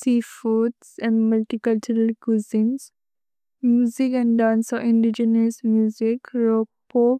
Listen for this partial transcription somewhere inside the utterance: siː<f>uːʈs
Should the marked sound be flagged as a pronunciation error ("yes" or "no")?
no